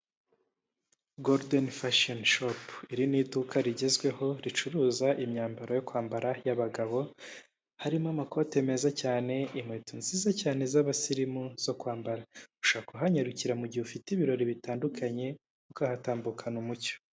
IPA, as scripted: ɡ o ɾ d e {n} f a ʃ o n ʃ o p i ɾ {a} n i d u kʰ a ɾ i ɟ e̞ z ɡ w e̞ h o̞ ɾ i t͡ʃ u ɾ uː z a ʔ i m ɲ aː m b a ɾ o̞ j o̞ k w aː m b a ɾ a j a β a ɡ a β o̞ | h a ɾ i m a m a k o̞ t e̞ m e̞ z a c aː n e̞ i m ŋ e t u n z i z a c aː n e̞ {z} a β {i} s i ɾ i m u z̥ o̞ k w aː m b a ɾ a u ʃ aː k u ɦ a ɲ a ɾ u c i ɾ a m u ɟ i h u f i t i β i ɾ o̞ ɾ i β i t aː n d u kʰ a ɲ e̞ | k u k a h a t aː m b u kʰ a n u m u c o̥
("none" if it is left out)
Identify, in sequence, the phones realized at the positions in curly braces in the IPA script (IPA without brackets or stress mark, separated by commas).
n, i, z, a